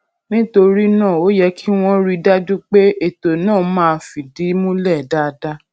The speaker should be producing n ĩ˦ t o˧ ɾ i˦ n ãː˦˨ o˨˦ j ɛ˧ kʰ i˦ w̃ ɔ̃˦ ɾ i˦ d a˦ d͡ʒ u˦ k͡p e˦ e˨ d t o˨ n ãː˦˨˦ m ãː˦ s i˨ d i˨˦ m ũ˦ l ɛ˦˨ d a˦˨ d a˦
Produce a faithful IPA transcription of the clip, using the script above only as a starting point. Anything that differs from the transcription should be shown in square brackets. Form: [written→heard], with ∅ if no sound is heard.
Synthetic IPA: n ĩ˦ t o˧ ɾ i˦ n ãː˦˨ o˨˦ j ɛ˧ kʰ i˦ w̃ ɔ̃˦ ɾ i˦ d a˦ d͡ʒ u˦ k͡p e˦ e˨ [d→∅] t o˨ n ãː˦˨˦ m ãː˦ [s→f] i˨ d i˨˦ m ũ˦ l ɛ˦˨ d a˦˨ d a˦